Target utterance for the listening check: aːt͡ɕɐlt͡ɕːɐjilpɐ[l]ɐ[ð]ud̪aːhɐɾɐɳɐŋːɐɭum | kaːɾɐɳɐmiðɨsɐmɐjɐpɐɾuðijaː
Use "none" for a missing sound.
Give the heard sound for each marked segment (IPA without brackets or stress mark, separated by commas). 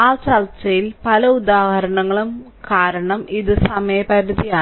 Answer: l, none